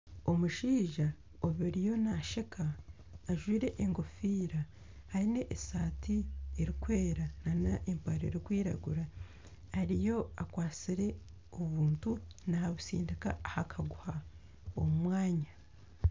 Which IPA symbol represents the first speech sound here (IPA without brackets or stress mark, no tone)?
o̞